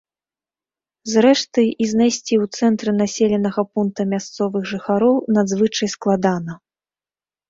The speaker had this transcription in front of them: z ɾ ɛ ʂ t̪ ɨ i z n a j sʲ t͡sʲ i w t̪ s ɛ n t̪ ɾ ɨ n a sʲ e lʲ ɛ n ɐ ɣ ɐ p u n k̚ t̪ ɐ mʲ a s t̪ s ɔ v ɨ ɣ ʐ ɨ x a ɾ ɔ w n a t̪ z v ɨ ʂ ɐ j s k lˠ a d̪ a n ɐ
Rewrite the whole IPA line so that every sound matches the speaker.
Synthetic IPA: z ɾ ɛ ʂ t̪ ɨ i z n a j sʲ t͡sʲ i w t̪ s ɛ n t̪ ɾ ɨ n a sʲ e lʲ ɛ n ɐ ɣ ɐ p u n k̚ t̪ ɐ mʲ a s t̪ s ɔ v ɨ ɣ ʐ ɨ x a ɾ ɔ w n a d̪ z v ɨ t͡ʂ ɐ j s k lˠ a d̪ a n ɐ